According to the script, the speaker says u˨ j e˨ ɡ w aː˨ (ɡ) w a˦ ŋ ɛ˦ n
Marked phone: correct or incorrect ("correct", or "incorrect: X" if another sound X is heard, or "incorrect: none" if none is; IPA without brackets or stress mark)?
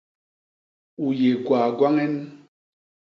correct